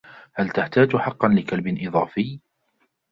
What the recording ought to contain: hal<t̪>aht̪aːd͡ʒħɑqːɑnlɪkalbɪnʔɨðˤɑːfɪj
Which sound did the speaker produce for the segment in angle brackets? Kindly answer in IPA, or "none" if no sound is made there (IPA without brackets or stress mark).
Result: t̪